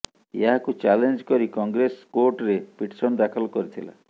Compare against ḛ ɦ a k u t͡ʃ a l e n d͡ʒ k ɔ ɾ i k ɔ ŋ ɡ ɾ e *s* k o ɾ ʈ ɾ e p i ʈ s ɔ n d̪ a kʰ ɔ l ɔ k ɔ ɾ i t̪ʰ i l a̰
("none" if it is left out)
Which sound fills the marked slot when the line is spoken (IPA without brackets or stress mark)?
s